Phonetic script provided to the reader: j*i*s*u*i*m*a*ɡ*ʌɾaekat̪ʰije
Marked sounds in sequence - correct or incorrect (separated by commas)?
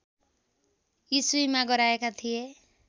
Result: correct, correct, correct, correct